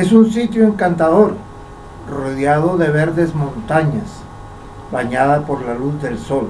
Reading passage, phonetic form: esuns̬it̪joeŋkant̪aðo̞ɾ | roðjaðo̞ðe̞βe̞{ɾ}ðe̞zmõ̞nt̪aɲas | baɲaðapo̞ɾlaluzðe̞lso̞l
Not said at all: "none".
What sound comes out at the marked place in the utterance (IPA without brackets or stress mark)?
ɾ